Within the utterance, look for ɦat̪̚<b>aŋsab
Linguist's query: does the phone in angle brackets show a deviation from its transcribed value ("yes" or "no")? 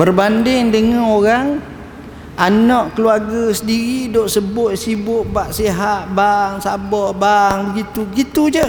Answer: no